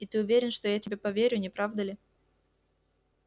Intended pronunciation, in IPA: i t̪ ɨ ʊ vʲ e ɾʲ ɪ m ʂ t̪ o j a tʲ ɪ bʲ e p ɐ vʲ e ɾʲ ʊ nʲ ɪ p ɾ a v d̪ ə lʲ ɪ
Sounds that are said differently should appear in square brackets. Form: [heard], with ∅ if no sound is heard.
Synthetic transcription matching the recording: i t̪ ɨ ʊ vʲ e ɾʲ ɪ [n] ʂ t̪ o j a tʲ ɪ bʲ e p ɐ vʲ e ɾʲ ʊ nʲ ɪ p ɾ a v d̪ ə lʲ ɪ